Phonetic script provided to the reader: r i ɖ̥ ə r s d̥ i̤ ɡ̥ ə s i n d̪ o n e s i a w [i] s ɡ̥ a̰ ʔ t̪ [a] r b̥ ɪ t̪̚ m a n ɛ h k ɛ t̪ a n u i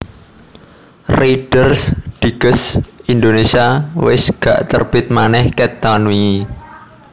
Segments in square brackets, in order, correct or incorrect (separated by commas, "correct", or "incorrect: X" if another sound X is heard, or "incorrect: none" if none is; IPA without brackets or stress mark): incorrect: ɪ, incorrect: ə